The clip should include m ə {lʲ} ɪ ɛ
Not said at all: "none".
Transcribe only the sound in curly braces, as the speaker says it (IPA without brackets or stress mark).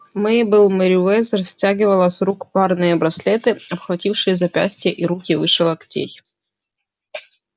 ɾʲ